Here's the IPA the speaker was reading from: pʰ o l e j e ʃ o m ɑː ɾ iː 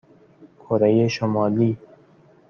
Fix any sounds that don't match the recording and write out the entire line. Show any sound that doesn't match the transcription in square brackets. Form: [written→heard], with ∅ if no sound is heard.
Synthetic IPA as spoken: [pʰ→kʰ] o [l→ɾ] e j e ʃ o m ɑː [ɾ→l] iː